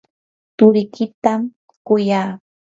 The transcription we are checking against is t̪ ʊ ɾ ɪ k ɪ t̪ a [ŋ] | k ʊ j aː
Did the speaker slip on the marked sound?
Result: yes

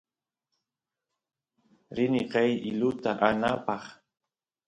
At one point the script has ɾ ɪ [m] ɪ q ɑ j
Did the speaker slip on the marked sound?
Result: yes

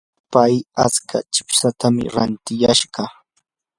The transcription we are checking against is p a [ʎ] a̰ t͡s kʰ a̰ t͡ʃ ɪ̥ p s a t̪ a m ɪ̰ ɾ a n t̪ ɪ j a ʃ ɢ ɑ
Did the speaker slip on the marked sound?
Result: yes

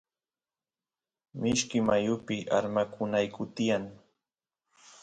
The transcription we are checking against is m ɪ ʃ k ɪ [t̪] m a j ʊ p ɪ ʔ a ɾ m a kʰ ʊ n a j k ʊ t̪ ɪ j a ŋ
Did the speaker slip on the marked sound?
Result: yes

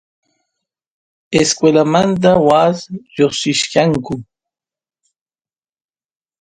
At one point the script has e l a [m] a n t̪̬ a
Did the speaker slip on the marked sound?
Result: no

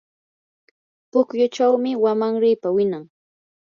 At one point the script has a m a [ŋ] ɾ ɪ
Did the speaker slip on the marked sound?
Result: no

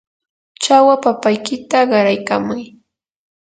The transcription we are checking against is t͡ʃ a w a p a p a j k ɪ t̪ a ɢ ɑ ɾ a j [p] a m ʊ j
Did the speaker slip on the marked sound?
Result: yes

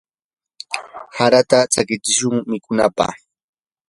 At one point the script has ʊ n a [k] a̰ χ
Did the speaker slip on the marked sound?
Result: yes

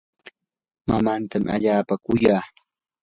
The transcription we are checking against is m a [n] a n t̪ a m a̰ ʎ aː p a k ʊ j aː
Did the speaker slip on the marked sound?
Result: yes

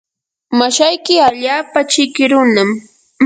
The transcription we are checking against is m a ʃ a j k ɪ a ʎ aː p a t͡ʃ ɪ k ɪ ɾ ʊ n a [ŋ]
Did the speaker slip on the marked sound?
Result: yes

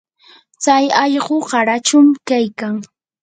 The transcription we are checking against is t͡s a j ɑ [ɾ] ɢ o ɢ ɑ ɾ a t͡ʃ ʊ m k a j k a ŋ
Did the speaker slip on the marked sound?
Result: yes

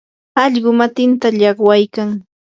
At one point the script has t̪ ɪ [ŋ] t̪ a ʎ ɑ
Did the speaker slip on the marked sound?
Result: yes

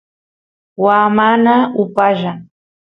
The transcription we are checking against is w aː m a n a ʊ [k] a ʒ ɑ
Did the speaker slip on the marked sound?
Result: yes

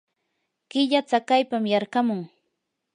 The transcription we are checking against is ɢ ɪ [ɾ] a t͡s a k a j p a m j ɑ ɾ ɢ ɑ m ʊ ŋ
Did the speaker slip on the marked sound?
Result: yes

